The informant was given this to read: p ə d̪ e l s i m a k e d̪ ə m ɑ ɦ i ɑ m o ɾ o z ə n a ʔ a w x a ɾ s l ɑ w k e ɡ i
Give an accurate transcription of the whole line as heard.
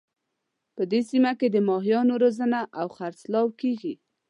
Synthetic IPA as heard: p ə d̪ e s i m a k e d̪ ə m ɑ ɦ j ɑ n o ɾ o z ə n a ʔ a w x a ɾ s l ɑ w k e ɡ i